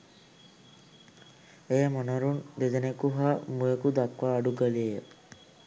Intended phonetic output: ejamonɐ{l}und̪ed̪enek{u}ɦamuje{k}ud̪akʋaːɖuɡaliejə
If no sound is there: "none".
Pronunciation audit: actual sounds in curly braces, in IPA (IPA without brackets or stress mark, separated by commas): ɾ, u, k